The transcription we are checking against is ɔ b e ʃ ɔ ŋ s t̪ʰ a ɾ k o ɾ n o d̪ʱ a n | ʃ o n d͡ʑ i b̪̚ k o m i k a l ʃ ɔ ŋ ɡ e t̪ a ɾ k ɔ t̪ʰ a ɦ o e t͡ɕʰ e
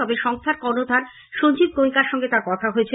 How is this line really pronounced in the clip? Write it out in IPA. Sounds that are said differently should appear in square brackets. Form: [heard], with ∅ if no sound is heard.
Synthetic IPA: ɔ b e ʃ ɔ ŋ s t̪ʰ a ɾ k [ɔ] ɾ n o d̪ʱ a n | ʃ o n d͡ʑ i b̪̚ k o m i k a [ɾ] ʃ ɔ ŋ ɡ e t̪ a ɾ k ɔ t̪ʰ a ɦ o e t͡ɕʰ e